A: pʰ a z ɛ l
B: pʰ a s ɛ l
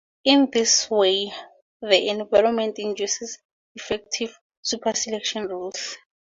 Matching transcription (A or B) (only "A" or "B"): B